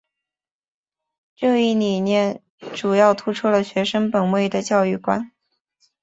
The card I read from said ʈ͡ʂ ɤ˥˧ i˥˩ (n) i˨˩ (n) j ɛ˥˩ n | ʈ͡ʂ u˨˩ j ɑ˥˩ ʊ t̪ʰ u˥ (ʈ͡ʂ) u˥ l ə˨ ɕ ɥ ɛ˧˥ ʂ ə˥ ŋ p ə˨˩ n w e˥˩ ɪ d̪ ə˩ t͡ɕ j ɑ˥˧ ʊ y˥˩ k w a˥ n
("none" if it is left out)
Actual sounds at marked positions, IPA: n, n, ʈ͡ʂʰ

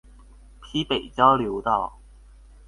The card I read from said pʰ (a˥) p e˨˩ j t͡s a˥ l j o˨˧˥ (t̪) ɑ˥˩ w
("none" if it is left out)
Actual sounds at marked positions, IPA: i˥, t̪

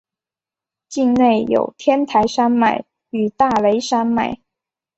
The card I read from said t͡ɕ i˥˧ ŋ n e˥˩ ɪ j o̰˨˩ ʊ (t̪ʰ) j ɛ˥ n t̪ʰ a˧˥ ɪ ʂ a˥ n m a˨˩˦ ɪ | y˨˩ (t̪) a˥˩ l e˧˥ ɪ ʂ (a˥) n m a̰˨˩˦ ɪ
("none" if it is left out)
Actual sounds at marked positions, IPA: t̪ʰ, t̪, a˥

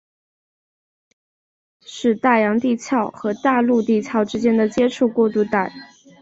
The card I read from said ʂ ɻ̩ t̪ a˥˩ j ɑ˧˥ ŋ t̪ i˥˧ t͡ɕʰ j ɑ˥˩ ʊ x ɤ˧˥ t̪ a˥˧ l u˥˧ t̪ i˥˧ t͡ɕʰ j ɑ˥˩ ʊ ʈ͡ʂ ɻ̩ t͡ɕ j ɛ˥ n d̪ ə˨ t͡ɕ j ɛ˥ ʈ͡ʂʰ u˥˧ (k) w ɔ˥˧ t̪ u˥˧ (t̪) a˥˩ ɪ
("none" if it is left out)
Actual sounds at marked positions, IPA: k, t̪

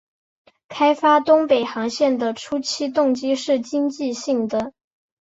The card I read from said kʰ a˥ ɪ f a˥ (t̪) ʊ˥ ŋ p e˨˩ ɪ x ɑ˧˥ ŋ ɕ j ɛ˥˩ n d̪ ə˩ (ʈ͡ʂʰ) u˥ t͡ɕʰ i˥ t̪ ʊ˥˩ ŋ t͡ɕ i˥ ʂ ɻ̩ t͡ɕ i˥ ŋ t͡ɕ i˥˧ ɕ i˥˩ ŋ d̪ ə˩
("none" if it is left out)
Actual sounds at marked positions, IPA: t̪, ʈ͡ʂʰ

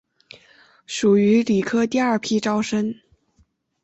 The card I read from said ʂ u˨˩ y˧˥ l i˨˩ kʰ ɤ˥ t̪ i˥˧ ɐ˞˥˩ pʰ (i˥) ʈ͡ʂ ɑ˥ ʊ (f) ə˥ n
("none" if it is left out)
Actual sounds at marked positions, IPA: i˥, ʂ

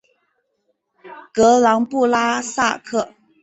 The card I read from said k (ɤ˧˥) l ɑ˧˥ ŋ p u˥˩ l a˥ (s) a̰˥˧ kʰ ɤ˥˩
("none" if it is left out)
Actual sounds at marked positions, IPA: ɤ˧˥, s

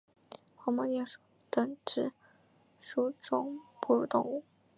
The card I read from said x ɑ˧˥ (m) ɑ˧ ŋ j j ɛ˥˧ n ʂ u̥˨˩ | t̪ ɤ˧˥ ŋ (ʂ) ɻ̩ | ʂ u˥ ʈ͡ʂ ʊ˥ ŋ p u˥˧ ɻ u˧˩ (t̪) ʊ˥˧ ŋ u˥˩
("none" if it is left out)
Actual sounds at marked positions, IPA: m, ʈ͡ʂ, t̪

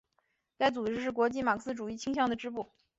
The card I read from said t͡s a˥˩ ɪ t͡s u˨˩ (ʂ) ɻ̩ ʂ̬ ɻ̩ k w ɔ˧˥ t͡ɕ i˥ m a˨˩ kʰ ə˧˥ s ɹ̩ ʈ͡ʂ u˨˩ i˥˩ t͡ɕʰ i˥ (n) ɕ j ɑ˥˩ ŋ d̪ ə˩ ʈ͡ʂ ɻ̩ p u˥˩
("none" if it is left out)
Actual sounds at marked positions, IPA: ʈ͡ʂ, ŋ

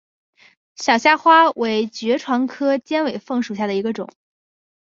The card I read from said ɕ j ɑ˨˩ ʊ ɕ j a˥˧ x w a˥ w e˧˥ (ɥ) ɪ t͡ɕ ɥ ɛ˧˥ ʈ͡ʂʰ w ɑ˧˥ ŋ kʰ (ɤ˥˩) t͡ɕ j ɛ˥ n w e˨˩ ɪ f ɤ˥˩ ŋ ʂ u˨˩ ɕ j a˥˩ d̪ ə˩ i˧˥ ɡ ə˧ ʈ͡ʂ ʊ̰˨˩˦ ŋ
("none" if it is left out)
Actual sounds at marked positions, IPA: none, ɤ˥

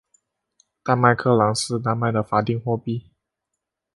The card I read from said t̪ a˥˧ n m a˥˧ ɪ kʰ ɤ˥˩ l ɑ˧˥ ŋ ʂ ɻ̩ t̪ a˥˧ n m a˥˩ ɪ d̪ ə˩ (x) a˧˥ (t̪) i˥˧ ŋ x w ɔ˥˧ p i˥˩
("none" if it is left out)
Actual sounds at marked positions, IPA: f, t̪

